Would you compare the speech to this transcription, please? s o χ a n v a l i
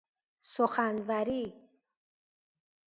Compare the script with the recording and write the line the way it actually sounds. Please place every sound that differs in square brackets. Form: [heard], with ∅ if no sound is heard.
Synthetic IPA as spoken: s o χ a n v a [ɾ] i

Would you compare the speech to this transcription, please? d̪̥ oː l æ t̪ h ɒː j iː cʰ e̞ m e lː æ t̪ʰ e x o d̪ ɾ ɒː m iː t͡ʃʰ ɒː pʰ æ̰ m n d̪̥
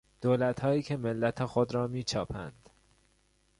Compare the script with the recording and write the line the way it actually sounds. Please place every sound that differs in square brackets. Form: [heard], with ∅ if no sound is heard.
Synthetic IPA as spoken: d̪̥ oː l æ t̪ h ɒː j iː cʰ e̞ m e lː æ t̪ʰ e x o d̪ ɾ ɒː m iː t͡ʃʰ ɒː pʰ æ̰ [∅] n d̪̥

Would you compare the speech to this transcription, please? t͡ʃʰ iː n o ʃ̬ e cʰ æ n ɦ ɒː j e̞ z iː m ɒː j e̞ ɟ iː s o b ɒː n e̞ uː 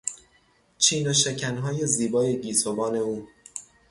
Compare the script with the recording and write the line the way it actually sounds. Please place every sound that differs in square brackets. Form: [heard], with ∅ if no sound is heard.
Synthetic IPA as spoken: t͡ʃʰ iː n o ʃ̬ e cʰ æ n ɦ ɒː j e̞ z iː [b] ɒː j e̞ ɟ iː s o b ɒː n e̞ uː

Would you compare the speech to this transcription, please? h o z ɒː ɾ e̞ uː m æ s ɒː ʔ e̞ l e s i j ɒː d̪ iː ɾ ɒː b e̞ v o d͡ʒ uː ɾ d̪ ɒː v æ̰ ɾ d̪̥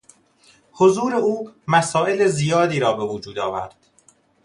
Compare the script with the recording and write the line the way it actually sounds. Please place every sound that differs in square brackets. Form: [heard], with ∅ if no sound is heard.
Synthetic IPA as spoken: h o z [uː] ɾ e̞ uː m æ s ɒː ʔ e̞ l e [z] i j ɒː d̪ iː ɾ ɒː b e̞ v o d͡ʒ uː [∅] d̪ ɒː v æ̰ ɾ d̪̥

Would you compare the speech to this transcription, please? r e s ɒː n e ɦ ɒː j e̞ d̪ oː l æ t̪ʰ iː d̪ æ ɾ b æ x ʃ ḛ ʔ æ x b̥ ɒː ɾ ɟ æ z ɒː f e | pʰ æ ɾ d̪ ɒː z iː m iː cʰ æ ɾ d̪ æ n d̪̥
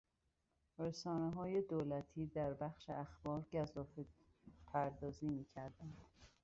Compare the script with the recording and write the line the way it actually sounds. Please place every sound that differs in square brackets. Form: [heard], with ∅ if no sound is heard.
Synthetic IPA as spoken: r e s ɒː n e ɦ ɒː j e̞ d̪ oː l æ t̪ʰ iː d̪ æ ɾ b æ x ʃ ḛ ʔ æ x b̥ ɒː ɾ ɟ æ z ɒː f e | pʰ æ ɾ d̪ ɒː z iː m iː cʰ æ ɾ d̪ æ n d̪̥

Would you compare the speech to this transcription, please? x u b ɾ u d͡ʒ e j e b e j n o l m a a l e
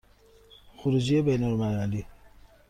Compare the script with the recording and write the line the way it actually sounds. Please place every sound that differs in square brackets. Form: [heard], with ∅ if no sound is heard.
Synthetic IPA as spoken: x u [∅] ɾ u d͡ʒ [i] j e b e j n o l m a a l [i]

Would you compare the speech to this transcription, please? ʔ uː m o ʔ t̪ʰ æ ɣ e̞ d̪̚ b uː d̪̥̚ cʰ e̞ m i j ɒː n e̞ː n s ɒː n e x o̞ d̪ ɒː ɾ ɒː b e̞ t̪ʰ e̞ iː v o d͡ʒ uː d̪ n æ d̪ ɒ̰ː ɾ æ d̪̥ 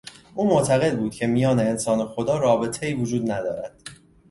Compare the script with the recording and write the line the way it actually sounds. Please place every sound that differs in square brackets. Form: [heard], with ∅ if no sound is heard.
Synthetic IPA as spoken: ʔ uː m o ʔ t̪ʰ æ ɣ e̞ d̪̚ b uː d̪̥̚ cʰ e̞ m i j ɒː n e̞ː n s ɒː n e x o̞ d̪ ɒː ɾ ɒː b e̞ t̪ʰ e̞ iː v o d͡ʒ uː d̪ n æ d̪ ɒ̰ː ɾ æ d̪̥

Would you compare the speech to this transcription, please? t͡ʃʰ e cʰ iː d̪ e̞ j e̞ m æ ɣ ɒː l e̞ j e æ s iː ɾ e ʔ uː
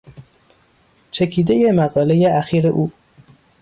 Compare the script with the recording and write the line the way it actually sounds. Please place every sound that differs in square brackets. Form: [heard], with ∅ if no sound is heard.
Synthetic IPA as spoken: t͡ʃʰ e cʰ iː d̪ e̞ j e̞ m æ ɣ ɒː l e̞ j e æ [x] iː ɾ e ʔ uː

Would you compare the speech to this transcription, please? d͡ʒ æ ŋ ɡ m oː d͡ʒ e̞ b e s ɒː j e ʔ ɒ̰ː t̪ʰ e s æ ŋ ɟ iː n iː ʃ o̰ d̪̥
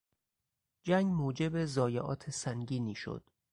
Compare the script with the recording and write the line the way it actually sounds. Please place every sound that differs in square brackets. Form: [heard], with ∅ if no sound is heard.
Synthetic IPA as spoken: d͡ʒ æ ŋ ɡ m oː d͡ʒ e̞ b e [z] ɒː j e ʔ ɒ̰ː t̪ʰ e s æ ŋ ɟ iː n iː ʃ o̰ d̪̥

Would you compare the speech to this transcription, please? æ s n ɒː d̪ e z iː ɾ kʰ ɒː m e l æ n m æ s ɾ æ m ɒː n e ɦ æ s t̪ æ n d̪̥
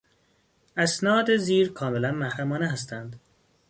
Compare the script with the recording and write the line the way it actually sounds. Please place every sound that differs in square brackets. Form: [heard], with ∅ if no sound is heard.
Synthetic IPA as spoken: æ s n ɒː d̪ e z iː ɾ kʰ ɒː m e l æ n m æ [h] ɾ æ m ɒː n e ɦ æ s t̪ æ n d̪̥

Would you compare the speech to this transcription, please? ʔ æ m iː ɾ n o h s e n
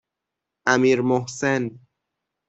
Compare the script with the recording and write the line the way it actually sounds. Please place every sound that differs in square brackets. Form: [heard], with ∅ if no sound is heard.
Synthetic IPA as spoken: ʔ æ m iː ɾ [m] o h s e n

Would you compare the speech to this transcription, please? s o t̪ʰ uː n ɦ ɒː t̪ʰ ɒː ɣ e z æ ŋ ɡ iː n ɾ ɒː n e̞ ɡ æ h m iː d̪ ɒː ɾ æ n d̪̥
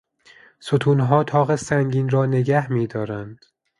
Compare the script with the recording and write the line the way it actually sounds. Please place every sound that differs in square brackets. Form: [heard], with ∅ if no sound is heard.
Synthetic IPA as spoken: s o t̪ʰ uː n ɦ ɒː t̪ʰ ɒː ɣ e [s] æ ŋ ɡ iː n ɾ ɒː n e̞ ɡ æ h m iː d̪ ɒː ɾ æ n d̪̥

